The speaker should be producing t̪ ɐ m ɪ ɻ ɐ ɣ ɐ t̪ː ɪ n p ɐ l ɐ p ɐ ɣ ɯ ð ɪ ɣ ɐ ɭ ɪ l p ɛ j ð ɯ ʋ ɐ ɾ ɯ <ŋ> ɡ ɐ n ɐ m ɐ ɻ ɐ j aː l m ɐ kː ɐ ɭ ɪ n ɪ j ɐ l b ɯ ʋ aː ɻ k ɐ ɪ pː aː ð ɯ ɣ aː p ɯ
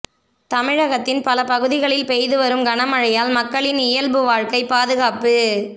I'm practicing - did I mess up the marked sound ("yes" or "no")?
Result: yes